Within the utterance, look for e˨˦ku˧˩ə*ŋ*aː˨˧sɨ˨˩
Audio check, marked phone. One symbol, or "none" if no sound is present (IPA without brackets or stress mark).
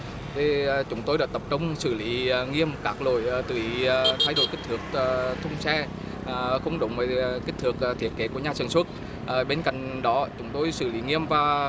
ɲ